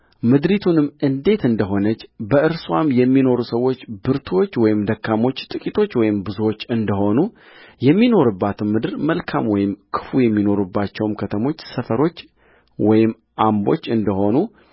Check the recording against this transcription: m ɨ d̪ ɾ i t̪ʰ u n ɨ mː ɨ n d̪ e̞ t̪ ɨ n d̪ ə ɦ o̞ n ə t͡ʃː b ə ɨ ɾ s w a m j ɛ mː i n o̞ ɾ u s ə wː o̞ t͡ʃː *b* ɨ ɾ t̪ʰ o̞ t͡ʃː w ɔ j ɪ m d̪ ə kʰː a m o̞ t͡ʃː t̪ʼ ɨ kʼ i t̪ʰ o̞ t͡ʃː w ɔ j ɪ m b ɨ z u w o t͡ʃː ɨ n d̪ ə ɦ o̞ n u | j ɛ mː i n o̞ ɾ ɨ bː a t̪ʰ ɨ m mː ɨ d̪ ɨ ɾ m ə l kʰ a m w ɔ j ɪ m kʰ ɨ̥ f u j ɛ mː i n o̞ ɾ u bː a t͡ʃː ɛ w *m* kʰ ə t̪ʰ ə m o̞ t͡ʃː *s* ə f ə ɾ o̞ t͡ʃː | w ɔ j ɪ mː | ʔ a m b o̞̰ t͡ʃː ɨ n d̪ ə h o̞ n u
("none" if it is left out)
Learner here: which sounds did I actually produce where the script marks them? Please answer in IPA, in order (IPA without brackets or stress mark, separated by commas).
b, m, s